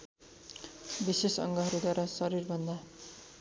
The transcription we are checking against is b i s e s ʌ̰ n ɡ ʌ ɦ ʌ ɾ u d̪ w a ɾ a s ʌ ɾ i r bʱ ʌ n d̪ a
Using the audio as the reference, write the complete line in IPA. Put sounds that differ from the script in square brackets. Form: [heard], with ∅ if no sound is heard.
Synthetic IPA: b i s e s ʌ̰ [ŋ] ɡ ʌ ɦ ʌ ɾ u d̪ w a ɾ a s ʌ ɾ i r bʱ ʌ n d̪ a